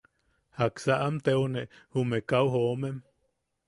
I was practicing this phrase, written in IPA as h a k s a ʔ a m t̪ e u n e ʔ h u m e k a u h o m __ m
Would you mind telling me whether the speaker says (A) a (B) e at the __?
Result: B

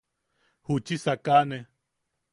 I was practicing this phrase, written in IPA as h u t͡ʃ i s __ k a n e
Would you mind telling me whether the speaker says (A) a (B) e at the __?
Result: A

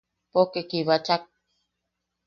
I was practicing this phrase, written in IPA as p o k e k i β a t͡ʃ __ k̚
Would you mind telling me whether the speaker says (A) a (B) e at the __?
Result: A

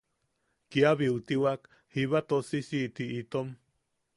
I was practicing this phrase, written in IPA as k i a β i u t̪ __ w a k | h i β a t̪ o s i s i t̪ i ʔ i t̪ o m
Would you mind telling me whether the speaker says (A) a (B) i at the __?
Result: B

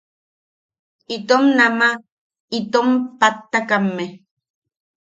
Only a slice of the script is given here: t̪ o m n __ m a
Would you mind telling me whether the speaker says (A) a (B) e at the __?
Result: A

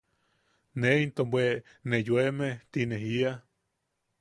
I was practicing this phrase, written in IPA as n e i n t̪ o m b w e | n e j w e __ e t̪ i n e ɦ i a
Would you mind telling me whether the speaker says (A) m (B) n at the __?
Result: A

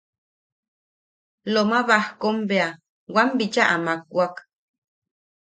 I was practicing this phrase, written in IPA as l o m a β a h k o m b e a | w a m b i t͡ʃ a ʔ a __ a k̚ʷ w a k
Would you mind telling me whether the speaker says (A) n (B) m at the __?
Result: B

